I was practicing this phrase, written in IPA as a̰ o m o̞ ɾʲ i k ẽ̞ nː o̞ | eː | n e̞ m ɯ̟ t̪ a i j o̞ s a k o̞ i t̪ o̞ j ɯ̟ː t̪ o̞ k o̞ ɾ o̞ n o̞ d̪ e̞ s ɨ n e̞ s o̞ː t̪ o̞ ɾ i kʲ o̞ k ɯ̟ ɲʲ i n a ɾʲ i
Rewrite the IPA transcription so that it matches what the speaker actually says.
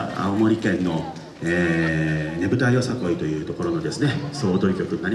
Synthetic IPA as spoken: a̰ o m o̞ ɾʲ i k ẽ̞ nː o̞ | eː | n e̞ b ɯ̟ t̪ a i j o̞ s a k o̞ i t̪ o̞ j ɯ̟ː t̪ o̞ k o̞ ɾ o̞ n o̞ d̪ e̞ s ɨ n e̞ s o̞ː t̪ o̞ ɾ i kʲ o̞ k ɯ̟ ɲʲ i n a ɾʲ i